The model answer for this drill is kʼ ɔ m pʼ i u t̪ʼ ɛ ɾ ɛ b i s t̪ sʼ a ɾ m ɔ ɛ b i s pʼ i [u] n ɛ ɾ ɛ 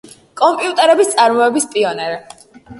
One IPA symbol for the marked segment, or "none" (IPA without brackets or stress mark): ɔ